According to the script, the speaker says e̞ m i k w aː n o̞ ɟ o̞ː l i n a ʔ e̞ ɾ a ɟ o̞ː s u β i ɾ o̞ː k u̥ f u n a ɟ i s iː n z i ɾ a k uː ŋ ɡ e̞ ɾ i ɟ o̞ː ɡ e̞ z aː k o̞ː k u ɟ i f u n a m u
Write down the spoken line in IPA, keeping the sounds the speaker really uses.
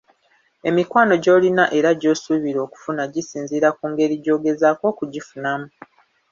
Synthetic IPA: e̞ m i k w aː n o̞ ɟ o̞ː l i n a ʔ e̞ ɾ a ɟ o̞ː s u β i ɾ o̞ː k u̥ f u n a ɟ i s iː n z i ɾ a k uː ŋ ɡ e̞ ɾ i ɟ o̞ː ɡ e̞ z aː k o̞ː k u ɟ i f u n a m u